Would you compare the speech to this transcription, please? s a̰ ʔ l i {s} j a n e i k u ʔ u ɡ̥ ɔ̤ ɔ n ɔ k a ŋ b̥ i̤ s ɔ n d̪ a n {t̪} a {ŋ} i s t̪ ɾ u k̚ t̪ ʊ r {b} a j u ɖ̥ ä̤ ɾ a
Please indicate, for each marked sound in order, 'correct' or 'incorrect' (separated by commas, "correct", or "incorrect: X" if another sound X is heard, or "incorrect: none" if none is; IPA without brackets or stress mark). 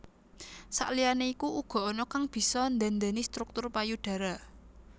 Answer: incorrect: none, incorrect: d̪, incorrect: n, incorrect: p